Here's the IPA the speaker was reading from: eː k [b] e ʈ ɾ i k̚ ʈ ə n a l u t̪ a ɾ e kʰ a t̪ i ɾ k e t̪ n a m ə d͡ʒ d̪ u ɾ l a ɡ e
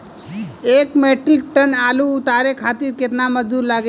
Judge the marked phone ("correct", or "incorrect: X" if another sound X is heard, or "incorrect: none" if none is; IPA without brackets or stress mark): incorrect: m